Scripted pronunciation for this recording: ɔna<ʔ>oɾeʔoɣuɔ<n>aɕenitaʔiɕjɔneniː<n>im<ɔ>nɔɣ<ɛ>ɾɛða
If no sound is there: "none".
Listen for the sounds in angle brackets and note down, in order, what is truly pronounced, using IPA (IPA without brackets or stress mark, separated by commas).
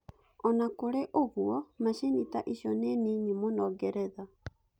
k, m, ɲ, o, ɛ